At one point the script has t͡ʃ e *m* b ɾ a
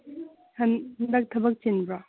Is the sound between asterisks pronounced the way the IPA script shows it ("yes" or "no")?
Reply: no